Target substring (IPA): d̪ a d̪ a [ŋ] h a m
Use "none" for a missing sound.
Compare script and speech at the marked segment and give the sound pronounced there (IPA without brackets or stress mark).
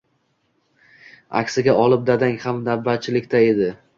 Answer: ŋ